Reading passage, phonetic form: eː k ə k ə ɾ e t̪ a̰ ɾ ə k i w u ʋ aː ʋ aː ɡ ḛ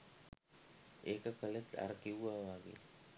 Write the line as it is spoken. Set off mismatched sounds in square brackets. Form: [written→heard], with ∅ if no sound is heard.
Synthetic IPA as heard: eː k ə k ə [ɾ→l] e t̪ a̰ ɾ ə k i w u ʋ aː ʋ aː ɡ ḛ